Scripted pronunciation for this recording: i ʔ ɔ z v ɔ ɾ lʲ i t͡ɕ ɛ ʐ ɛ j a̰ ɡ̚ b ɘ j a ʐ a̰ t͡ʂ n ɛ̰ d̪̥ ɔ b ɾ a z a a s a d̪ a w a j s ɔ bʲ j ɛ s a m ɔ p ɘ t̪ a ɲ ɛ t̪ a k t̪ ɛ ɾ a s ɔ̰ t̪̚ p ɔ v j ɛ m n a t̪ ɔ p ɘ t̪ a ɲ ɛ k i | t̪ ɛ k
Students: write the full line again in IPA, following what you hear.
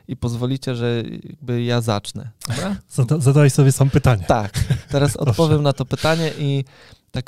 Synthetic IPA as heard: i p ɔ z v ɔ lʲ i t͡ɕ ɛ ʐ ɛ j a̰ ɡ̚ b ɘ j a z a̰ t͡ʂ n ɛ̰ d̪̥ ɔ b ɾ a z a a z a d̪ a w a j s ɔ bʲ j ɛ s a m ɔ p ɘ t̪ a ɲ ɛ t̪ a k t̪ ɛ ɾ a s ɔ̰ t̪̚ p ɔ v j ɛ m n a t̪ ɔ p ɘ t̪ a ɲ ɛ ʔ i | t̪ a k